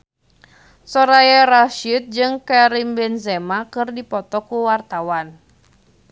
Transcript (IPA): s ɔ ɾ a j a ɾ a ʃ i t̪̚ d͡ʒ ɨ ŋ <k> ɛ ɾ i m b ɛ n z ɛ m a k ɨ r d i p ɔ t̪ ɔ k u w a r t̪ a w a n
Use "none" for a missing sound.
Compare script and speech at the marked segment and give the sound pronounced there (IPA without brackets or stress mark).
k